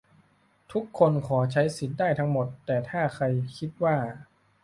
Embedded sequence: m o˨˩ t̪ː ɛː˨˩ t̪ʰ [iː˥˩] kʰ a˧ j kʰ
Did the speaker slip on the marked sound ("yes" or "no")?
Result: yes